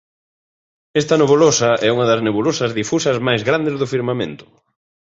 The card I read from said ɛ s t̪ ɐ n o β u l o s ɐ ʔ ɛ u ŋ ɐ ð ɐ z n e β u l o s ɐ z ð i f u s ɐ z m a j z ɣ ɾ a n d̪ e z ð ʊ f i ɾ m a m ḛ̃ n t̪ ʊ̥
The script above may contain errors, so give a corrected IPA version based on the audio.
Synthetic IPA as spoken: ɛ s t̪ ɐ n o β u l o s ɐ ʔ ɛ u ŋ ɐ ð ɐ z n e β u l o s ɐ z ð i f u s ɐ z m a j z ɣ ɾ a n d̪ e z ð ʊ f i ɾ m a m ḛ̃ n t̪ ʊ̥

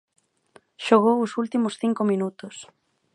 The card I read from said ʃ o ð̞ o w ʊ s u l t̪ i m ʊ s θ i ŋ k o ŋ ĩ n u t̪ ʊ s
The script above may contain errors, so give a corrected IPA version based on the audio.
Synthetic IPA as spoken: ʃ o ɣ̞ o w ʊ s u l t̪ i m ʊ s θ i ŋ k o m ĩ n u t̪ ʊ s

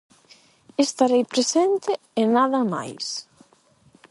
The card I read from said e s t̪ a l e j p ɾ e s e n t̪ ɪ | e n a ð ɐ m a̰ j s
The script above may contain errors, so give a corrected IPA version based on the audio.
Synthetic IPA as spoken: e s t̪ a ɾ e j p ɾ e s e n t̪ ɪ | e n a ð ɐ m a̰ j s

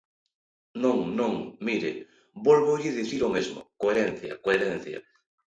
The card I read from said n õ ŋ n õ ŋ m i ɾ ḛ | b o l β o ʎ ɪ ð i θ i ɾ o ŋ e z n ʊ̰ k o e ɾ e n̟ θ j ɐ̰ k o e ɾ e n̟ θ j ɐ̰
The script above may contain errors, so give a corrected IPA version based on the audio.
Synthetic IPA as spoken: n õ ŋ n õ ŋ m i ɾ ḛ | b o l β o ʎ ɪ ð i θ i ɾ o m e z m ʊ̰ k o e ɾ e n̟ θ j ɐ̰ k o e ɾ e n̟ θ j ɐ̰

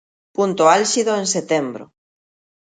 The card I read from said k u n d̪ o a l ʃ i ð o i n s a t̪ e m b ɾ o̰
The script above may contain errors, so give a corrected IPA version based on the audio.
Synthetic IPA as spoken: p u n t̪ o a l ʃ i ð o e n s e t̪ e m b ɾ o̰

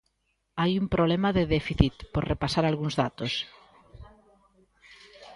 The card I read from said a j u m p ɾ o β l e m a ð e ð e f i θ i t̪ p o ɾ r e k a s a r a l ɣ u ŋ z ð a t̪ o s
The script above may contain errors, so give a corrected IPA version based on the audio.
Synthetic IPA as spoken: a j u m p ɾ o β l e m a ð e ð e f i θ i t̪ p o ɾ r e p a s a ɾ a l ɣ u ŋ z ð a t̪ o s

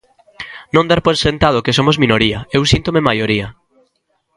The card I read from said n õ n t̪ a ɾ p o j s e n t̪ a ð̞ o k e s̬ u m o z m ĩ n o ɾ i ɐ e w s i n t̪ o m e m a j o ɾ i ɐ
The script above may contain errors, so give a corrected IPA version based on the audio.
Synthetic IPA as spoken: n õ n d̪ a ɾ p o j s e n t̪ a ð̞ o k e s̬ o m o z m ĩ n o ɾ i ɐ e w s i n t̪ o m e m a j o ɾ i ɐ

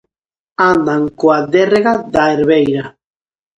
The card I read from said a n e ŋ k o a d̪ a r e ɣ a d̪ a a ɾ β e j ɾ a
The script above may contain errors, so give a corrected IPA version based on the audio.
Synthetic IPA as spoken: a n a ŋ k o a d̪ e r e ɣ a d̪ a e ɾ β e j ɾ a

